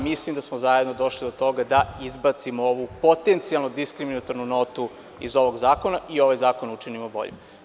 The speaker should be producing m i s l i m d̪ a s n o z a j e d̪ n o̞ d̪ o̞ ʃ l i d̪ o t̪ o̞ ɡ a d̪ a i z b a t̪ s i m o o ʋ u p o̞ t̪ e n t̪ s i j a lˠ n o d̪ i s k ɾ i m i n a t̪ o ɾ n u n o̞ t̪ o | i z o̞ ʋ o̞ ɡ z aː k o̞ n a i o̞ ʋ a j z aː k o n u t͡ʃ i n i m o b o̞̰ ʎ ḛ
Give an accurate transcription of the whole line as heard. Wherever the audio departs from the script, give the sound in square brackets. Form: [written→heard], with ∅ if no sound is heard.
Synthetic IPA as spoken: m i s l i m d̪ a s [n→m] o z a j e d̪ n o̞ d̪ o̞ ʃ l i d̪ o t̪ o̞ ɡ a d̪ a i z b a t̪ s i m o o ʋ u p o̞ t̪ e n t̪ s i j a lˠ n o d̪ i s k ɾ i m i n a t̪ o ɾ n u n o̞ t̪ [o→u] | i z o̞ ʋ o̞ ɡ z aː k o̞ n a i o̞ ʋ a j z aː k o n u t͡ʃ i n i m o b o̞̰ ʎ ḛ